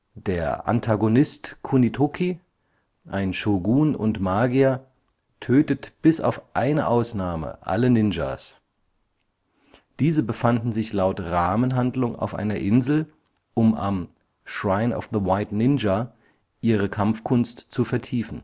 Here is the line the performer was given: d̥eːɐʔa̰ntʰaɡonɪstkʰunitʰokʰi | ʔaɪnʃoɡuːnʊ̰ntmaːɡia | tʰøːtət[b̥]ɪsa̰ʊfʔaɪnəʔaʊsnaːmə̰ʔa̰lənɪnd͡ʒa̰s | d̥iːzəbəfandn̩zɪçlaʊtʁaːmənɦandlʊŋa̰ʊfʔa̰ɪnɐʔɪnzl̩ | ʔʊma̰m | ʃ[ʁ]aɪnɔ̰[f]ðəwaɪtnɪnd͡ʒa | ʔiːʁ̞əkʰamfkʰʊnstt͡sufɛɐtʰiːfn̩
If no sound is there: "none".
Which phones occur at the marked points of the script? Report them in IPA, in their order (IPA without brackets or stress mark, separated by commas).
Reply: b̥, ʁ, f